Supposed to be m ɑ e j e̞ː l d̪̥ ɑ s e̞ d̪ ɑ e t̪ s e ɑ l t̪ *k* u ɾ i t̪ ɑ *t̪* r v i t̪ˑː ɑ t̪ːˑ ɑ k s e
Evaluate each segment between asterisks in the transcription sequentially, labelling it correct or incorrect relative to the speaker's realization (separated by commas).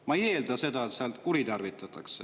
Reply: correct, incorrect